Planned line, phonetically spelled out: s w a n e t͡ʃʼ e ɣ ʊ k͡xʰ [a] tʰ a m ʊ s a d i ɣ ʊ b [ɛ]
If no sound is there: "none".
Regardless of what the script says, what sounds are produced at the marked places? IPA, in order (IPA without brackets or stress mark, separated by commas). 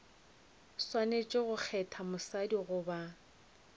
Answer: ɛ, a